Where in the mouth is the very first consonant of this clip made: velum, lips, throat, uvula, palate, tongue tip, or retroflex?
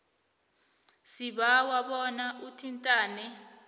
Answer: tongue tip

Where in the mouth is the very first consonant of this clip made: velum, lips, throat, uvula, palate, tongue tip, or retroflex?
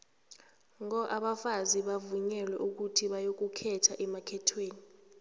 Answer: velum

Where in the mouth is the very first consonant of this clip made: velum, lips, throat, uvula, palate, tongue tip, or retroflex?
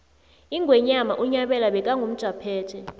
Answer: velum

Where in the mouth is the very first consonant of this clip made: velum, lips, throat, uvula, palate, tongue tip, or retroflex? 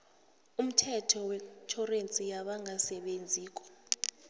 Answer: lips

